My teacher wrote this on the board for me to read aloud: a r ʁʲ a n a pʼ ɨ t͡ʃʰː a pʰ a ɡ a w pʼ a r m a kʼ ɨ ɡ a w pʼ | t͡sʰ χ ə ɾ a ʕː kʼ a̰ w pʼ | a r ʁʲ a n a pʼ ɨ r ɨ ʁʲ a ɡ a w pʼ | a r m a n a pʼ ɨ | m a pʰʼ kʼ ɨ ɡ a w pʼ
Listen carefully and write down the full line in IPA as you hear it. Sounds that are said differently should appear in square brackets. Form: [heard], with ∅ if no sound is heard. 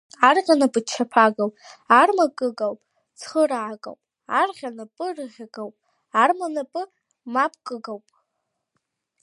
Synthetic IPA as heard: a r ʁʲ a n a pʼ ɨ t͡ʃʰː a pʰ a ɡ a w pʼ a r m a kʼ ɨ ɡ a w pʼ | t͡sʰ χ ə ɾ a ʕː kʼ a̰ w pʼ | a r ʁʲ a n a pʼ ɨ r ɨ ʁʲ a ɡ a w pʼ | a r m a n a pʼ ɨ | m a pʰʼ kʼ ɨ ɡ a w pʼ

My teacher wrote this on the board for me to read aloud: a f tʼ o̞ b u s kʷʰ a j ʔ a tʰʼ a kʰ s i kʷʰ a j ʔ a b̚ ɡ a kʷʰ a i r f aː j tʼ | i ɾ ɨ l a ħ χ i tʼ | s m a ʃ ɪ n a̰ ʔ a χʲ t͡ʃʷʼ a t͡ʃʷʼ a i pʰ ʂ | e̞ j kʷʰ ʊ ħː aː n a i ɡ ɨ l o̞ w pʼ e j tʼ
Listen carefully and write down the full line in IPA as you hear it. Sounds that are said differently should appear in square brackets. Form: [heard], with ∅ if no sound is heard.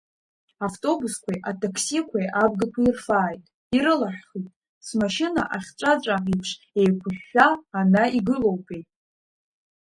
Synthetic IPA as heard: a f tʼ o̞ b u s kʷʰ a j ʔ a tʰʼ a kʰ s i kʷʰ a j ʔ a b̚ ɡ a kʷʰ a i r f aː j tʼ | i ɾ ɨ l a ħ χ i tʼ | s m a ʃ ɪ n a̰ ʔ a χʲ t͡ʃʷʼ a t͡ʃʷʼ a i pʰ ʂ | e̞ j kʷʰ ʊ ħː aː n a i ɡ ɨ l o̞ w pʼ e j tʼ

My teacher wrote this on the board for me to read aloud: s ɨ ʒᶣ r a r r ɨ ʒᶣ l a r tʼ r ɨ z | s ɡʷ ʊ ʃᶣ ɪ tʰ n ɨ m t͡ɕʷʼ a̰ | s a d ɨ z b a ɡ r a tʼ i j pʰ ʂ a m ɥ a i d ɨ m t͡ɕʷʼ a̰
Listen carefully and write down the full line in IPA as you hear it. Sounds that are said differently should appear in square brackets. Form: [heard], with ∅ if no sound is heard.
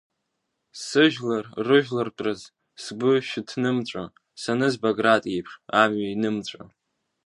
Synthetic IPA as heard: s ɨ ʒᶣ [l] a r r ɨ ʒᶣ l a r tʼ r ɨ z | s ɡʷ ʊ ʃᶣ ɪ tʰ n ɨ m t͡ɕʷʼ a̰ | s a [n] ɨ z b a ɡ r a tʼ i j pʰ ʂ a m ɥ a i [n] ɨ m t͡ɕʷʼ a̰

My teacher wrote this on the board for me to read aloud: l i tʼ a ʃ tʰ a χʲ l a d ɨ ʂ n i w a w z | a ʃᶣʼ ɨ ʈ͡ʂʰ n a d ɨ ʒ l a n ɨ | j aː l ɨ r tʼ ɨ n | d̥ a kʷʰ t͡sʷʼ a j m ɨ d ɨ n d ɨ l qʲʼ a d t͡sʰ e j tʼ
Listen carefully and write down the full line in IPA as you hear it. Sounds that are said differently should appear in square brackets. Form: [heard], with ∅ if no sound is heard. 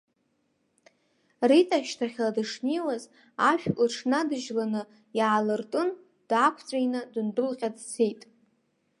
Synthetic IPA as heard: [r] i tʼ a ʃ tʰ a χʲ l a d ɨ ʂ n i w a [∅] z | a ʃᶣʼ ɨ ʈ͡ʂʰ n a d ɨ ʒ l a n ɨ | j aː l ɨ r tʼ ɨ n | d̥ a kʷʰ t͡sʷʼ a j [n] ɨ d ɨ n d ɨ l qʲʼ a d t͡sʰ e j tʼ

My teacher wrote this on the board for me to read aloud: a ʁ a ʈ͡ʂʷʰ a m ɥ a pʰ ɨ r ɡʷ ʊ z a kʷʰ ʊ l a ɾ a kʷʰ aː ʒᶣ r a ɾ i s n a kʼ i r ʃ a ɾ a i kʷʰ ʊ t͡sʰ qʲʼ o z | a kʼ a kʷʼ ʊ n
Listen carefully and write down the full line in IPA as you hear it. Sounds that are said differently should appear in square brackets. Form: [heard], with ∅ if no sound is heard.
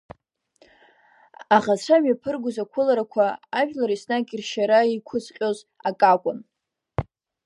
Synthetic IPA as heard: a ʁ a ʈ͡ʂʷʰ a m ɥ a pʰ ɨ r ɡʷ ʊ z a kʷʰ ʊ l a ɾ a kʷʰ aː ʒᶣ [l] a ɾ i s n a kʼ i r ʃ a ɾ a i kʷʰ ʊ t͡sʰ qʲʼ o z | a kʼ a kʷʼ ʊ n

